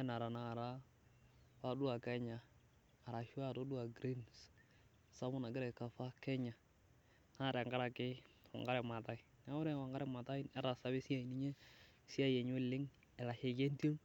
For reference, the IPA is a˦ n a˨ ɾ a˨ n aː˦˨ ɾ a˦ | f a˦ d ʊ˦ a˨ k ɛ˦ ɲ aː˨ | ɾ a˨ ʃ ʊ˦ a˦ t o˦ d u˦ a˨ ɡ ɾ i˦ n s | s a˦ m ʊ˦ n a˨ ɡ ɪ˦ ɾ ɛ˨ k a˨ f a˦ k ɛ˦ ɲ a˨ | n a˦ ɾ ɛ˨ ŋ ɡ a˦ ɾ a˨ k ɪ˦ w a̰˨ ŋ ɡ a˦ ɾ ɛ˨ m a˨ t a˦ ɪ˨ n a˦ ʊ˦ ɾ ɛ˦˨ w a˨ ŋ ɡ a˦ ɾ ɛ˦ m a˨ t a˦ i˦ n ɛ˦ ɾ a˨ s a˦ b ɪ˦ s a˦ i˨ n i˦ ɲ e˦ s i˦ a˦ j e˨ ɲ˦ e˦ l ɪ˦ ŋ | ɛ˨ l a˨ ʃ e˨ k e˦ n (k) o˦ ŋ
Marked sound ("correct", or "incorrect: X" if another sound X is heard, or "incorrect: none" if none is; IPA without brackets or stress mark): incorrect: t